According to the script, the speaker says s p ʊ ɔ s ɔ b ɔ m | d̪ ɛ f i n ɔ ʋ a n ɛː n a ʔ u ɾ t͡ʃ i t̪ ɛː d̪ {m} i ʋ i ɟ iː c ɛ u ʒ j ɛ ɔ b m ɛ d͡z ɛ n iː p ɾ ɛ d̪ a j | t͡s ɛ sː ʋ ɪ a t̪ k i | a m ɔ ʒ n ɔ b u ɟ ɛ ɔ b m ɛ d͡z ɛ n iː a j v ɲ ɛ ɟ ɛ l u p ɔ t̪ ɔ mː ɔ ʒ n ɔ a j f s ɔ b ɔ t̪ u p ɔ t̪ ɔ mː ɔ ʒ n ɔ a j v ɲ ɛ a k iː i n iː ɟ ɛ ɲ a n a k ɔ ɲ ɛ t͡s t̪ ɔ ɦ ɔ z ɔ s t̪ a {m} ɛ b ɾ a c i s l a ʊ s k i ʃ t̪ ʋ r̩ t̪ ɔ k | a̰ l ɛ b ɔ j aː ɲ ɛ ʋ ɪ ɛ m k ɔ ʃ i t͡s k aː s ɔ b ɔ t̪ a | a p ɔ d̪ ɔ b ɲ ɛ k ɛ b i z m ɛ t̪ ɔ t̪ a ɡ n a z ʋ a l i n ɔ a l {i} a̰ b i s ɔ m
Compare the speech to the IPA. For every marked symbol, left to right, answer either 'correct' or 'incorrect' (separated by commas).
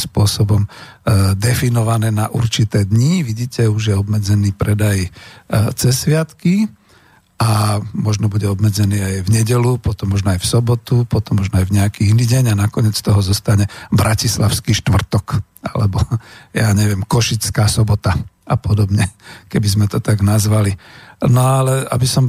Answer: incorrect, incorrect, incorrect